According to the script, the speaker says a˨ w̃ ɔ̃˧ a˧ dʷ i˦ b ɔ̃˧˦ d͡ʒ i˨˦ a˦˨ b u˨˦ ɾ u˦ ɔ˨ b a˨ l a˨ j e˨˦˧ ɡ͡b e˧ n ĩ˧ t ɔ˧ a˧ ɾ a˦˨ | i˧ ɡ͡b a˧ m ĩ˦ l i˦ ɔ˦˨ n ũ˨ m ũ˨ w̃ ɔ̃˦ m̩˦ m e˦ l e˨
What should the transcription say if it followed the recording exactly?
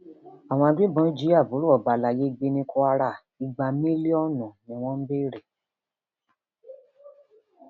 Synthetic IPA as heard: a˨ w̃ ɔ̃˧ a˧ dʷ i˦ b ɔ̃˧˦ d͡ʒ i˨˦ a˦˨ b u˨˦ ɾ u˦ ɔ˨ b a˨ l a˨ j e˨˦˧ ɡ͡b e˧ n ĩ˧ k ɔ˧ a˧ ɾ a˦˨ | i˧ ɡ͡b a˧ m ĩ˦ l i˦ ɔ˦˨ n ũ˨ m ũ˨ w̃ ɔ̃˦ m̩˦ b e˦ ɾ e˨